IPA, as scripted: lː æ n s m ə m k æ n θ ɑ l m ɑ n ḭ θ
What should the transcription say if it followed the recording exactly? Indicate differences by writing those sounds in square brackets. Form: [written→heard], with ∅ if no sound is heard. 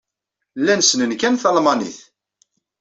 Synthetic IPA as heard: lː æ n s [m→n] ə [m→n] k æ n θ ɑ l m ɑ n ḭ θ